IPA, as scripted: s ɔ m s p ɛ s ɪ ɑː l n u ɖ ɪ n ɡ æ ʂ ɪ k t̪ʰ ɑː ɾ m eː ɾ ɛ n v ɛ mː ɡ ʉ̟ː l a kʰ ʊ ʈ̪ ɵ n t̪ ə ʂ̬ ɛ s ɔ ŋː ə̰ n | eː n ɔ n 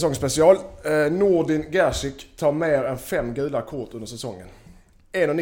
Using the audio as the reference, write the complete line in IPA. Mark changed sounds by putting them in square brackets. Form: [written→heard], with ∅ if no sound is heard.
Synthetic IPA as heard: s ɔ [m→ŋ] s p ɛ s ɪ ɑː l n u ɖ ɪ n ɡ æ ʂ ɪ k t̪ʰ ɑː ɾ m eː ɾ ɛ n [v→f] ɛ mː ɡ ʉ̟ː l a kʰ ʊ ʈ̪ ɵ n [t̪→d̪] ə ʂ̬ ɛ s ɔ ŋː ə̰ n | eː n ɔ n